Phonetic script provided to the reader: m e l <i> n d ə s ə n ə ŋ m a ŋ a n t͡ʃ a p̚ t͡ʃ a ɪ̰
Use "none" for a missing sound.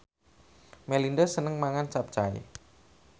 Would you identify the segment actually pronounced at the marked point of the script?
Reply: i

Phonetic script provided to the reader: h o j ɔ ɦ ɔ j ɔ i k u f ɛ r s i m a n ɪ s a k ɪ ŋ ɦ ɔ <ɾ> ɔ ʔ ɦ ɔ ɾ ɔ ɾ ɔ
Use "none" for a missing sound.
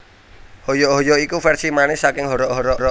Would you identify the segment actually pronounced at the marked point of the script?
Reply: ɾ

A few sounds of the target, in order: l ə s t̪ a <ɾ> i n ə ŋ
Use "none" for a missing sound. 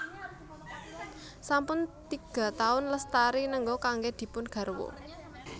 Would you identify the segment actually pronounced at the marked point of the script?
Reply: ɾ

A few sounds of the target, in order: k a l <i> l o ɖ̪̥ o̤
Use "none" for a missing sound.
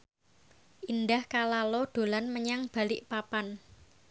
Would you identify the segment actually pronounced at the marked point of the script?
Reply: a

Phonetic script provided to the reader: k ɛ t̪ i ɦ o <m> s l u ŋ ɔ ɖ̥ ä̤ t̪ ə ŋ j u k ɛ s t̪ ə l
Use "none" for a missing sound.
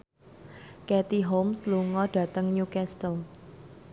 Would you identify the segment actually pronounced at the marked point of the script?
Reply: m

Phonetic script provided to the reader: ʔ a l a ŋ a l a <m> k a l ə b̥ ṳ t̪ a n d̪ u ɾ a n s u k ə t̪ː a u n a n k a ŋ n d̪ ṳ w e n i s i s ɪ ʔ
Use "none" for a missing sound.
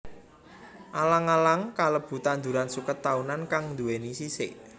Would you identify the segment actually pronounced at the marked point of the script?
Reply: ŋ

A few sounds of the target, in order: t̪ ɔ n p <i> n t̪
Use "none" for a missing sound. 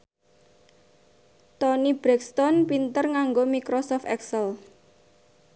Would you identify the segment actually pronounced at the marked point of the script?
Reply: i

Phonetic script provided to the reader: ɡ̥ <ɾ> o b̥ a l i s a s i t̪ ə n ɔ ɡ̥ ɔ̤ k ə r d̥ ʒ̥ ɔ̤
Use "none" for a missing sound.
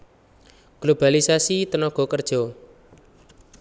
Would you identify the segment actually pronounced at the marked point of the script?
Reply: l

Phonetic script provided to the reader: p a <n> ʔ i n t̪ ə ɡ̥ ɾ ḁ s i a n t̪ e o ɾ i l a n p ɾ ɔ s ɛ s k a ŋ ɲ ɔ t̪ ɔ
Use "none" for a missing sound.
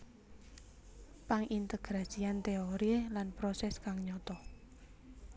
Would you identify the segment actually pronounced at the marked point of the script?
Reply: ŋ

